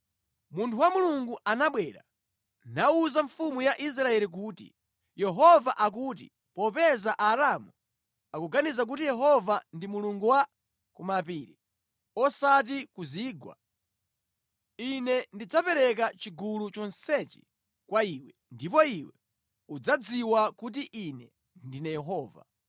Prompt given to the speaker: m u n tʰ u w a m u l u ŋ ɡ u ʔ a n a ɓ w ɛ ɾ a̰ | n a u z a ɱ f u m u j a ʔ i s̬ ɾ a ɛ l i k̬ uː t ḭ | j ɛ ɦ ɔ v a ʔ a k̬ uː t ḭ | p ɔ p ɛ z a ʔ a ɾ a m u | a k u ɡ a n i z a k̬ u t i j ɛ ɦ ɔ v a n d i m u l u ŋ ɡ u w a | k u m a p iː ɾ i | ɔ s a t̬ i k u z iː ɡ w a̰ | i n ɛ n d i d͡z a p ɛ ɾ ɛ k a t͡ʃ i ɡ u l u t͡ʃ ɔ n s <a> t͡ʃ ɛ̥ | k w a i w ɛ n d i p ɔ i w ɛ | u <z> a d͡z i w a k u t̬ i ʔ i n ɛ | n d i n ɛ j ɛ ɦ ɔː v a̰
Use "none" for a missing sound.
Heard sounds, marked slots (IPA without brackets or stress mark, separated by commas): ɛ, d͡z